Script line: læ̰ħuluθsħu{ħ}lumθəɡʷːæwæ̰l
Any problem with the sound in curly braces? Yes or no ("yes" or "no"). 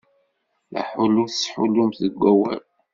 yes